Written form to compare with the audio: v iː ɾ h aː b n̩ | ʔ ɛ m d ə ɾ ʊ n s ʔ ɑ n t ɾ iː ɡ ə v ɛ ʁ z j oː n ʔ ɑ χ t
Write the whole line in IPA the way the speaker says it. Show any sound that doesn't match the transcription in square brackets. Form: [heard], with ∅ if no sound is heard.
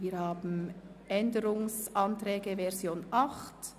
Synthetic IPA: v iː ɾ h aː b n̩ | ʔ ɛ [n] d ə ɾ ʊ [ŋ] s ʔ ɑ n t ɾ [ɛː] ɡ ə v ɛ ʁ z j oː n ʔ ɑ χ t